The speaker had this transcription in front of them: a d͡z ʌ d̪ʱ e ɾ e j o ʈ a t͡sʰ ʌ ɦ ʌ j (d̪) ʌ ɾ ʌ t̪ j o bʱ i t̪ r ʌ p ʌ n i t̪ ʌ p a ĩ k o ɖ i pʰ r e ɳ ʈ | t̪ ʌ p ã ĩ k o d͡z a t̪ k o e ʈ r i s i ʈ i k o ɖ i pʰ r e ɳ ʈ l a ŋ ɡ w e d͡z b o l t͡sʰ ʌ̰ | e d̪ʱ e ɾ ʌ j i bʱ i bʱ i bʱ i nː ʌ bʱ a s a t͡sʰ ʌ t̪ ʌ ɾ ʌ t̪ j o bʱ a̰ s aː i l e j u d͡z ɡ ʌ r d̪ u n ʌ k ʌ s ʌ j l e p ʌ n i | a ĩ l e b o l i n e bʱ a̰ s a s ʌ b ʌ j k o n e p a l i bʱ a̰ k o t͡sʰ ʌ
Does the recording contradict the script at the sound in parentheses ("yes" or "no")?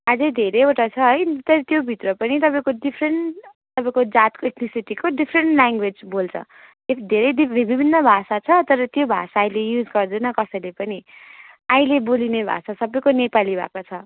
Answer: yes